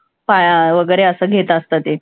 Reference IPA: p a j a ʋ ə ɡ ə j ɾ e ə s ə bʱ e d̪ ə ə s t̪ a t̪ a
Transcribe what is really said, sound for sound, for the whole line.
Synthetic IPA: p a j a ʋ ə ɡ ə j ɾ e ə s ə ɡʱ e t̪ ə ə s t̪ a t̪ e